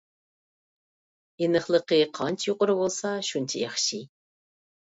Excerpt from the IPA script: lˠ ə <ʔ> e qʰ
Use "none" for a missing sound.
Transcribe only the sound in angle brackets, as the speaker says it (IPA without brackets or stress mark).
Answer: q